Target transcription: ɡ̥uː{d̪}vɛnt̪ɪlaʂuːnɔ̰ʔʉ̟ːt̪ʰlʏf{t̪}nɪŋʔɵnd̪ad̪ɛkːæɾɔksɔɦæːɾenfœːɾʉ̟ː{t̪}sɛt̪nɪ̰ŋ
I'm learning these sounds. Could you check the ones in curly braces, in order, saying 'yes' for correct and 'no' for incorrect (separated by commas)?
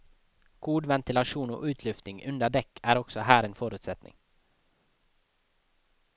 yes, yes, yes